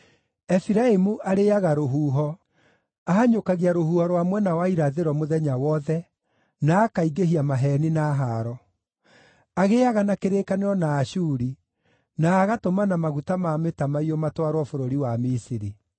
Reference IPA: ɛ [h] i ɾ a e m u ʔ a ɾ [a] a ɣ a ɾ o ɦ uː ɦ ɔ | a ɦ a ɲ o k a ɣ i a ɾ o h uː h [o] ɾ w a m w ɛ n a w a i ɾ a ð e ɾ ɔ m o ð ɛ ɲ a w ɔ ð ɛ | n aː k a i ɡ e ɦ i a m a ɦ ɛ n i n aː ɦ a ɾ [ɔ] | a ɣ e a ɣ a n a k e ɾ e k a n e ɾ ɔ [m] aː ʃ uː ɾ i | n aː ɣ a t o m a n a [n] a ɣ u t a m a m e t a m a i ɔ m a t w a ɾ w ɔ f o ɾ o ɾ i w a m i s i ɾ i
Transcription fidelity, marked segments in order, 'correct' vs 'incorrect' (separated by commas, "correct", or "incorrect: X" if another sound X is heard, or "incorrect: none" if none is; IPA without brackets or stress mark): incorrect: f, incorrect: e, incorrect: ɔ, correct, incorrect: n, incorrect: m